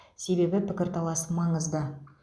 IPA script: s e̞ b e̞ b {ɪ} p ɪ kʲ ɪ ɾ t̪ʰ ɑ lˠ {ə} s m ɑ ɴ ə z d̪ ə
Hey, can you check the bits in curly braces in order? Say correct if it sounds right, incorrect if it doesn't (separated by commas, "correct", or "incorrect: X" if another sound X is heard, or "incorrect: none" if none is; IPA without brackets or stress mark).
correct, incorrect: ɑ